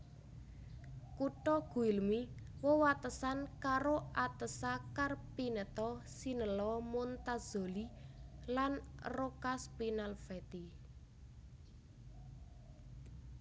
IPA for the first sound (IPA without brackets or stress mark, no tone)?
k